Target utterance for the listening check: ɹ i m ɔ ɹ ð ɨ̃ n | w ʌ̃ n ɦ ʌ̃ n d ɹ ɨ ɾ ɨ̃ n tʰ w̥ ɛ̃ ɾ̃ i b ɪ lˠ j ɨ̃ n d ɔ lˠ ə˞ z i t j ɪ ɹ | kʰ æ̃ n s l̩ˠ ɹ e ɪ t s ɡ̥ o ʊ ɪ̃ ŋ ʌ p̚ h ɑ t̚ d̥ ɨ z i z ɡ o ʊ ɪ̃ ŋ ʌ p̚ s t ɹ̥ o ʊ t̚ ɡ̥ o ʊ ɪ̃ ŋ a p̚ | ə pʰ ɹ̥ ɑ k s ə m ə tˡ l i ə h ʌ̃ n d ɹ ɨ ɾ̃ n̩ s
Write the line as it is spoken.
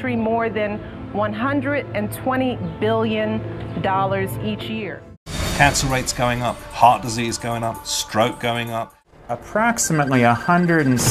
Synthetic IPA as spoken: ɹ i m ɔ ɹ ð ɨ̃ n | w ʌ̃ n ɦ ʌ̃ n d ɹ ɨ ɾ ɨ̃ n tʰ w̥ ɛ̃ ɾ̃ i b ɪ lˠ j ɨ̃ n d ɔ lˠ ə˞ z i t͡ʃ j ɪ ɹ | kʰ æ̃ n s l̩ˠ ɹ e ɪ t s ɡ̥ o ʊ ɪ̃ ŋ ʌ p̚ h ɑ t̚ d̥ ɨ z i z ɡ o ʊ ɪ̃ ŋ ʌ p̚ s t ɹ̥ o ʊ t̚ ɡ̥ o ʊ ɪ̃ ŋ ʌ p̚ | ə pʰ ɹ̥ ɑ k s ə m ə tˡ l i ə h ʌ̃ n d ɹ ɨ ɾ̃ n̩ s

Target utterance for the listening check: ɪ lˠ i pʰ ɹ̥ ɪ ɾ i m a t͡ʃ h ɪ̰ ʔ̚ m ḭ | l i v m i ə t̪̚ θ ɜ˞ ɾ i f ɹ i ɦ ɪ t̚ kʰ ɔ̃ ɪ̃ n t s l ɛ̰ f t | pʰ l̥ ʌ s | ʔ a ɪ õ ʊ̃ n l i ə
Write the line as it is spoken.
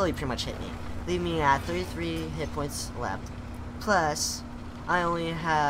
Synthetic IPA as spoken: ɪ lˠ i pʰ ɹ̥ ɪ ɾ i m ʌ t͡ʃ h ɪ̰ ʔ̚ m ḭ | l i v m i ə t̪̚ θ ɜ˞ ɾ i θ ɹ i ɦ ɪ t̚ pʰ ɔ̃ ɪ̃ n t s l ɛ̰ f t | pʰ l̥ ʌ s | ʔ a ɪ õ ʊ̃ n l i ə

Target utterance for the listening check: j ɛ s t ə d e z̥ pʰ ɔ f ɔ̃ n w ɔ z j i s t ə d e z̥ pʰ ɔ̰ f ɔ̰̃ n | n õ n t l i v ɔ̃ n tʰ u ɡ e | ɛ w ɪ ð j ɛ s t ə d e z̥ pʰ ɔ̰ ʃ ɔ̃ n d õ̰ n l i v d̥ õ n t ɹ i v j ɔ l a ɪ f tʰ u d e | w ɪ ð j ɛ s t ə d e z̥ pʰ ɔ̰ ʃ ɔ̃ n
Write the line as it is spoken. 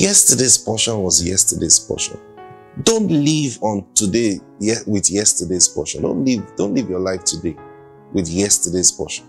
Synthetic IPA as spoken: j ɛ s t ə d e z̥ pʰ ɔ ʃ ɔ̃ n w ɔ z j ɛ s t ə d e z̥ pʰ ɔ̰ ʃ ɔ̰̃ n | d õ n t l i v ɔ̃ n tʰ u d e | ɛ w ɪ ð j ɛ s t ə d e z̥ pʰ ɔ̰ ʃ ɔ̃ n d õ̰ n l i v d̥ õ n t l i v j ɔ l a ɪ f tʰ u d e | w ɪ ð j ɛ s t ə d e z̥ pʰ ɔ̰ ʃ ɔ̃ n

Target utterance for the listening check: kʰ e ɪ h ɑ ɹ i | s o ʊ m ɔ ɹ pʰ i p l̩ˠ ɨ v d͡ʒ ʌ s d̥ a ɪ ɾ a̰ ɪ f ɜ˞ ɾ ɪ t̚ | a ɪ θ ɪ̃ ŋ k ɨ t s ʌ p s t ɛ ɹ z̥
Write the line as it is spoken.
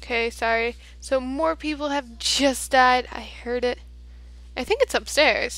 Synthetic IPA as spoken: kʰ e ɪ s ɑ ɹ i | s o ʊ m ɔ ɹ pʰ i p l̩ˠ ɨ v d͡ʒ ʌ s d̥ a ɪ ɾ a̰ ɪ h ɜ˞ ɾ ɪ t̚ | a ɪ θ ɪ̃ ŋ k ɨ t s ʌ p s t ɛ ɹ z̥

